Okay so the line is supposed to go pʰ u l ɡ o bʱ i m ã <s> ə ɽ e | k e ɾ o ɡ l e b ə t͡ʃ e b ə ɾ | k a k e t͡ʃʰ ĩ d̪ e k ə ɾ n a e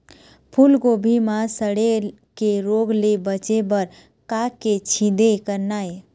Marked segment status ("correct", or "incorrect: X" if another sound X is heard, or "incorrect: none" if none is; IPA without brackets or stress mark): correct